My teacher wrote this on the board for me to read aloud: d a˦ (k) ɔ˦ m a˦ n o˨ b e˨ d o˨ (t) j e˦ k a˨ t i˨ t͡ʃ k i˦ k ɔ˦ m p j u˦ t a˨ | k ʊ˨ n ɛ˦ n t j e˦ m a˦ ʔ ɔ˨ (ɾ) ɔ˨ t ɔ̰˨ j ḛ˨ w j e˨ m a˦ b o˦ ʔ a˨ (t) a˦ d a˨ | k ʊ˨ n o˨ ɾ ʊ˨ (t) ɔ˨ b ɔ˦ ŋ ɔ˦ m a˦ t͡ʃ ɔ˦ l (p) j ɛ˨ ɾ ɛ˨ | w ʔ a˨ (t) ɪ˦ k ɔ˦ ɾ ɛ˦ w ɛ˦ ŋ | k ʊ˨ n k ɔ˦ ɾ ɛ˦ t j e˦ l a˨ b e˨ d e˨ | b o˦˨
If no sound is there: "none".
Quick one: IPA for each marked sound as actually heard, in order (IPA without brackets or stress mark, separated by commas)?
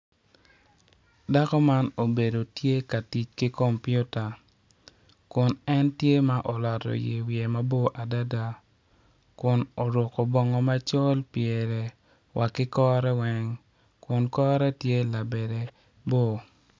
k, t, l, d, k, p, k